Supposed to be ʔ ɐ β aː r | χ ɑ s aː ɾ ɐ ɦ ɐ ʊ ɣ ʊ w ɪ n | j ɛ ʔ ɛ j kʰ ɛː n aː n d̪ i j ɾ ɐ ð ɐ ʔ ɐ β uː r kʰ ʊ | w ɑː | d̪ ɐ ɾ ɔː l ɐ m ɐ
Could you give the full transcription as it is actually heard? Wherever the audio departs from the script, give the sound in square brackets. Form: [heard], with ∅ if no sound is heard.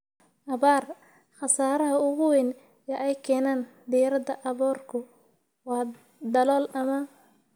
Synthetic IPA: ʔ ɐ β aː r | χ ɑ s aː ɾ ɐ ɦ ɐ ʊ ɣ ʊ w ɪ n | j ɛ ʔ ɛ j kʰ ɛː n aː n d̪ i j ɾ ɐ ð ɐ ʔ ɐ β [ɔː] r kʰ ʊ | w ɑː | d̪ ɐ [l] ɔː l ɐ m ɐ